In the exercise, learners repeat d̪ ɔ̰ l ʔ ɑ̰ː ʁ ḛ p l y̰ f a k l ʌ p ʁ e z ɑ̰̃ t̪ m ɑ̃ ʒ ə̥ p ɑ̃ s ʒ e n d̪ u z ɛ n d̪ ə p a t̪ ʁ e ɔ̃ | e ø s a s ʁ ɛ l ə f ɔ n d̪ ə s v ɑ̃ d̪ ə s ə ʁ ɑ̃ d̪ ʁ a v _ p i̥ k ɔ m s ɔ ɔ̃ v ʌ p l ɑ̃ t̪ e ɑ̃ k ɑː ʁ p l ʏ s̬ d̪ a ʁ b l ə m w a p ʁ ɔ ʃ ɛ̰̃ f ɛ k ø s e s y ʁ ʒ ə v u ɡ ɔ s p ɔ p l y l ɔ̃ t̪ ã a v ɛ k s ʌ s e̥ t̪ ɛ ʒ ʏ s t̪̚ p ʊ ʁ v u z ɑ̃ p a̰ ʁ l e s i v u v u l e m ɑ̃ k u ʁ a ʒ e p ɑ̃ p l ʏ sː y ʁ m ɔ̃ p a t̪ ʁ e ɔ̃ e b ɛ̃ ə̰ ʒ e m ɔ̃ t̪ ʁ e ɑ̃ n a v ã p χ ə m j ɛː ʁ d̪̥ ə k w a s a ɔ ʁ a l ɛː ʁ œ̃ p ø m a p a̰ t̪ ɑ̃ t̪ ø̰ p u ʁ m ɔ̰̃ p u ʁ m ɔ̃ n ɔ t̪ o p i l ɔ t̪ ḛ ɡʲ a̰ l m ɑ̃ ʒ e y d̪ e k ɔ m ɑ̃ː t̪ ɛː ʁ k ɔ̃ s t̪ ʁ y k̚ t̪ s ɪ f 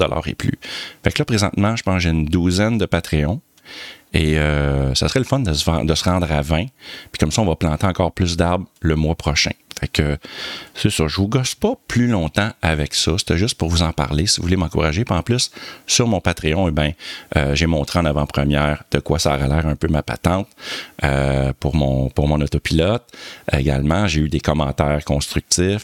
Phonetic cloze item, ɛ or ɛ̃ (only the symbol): ɛ̃